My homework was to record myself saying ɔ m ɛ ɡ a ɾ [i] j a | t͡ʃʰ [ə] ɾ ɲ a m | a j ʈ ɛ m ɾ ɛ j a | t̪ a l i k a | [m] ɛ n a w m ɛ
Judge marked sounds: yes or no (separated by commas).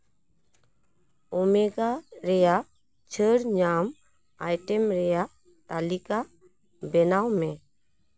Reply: no, yes, no